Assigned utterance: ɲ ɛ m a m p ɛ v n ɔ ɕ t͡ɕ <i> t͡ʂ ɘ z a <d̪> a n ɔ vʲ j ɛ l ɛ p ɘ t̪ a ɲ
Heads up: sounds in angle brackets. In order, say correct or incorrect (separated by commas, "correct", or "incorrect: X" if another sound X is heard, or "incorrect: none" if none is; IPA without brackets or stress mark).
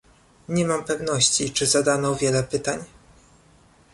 correct, correct